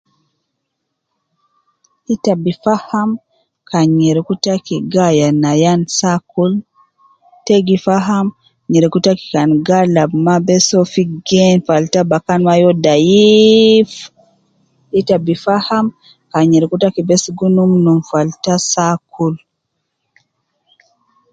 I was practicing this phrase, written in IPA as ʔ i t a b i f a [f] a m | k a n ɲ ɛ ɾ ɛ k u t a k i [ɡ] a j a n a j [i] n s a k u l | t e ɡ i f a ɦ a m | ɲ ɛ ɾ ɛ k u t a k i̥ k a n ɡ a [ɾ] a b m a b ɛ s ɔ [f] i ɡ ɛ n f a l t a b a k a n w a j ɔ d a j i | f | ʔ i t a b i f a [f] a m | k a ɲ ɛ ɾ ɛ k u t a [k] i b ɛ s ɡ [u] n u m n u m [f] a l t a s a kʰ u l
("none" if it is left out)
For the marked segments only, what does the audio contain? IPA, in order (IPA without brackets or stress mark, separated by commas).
h, ɡ, a, l, f, h, k, u, f